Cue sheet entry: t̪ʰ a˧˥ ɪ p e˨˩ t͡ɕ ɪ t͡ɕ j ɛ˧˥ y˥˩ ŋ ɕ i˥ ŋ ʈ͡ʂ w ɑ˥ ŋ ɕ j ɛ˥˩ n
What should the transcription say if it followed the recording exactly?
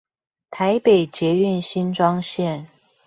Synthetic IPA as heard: t̪ʰ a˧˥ ɪ p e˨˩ ɪ t͡ɕ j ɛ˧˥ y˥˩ n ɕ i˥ n ʈ͡ʂ w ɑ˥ ŋ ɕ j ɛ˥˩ n